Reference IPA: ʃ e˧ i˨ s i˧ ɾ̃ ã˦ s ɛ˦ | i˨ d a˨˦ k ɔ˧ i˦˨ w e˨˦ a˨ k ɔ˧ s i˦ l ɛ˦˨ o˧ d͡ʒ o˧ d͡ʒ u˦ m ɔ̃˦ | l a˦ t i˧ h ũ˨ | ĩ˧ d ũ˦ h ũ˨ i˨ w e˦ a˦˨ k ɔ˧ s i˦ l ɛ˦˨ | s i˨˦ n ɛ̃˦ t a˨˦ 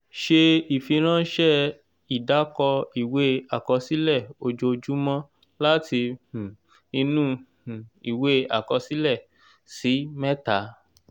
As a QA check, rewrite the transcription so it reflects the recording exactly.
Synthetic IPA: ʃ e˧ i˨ f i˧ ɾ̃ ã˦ ʃ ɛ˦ | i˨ d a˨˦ k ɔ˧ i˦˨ w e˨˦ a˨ k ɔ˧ s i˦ l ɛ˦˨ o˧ d͡ʒ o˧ d͡ʒ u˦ m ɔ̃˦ | l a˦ t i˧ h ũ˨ | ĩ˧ n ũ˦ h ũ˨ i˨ w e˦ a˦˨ k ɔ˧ s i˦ l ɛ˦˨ | s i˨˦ m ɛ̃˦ t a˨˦